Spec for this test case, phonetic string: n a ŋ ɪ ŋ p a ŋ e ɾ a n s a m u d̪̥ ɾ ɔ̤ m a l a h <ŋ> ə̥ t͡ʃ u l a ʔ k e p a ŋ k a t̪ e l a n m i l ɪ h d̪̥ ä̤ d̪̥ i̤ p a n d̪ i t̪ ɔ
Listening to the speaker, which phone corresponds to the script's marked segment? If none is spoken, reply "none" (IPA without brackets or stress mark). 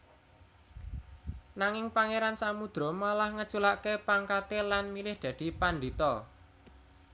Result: ŋ